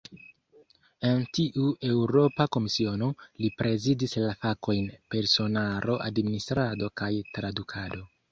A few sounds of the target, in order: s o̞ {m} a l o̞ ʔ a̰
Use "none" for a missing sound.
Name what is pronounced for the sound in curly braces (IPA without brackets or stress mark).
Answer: n